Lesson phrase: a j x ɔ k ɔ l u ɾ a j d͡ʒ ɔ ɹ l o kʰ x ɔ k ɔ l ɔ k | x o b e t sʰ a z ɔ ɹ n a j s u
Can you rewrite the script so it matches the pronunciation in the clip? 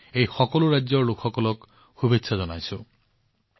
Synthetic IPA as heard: e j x ɔ k ɔ l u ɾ a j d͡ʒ ɔ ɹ l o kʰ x ɔ k ɔ l ɔ k | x u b e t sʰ a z ɔ n a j s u